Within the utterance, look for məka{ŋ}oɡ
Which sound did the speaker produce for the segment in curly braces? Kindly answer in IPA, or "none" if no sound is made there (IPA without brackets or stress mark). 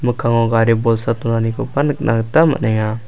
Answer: ŋ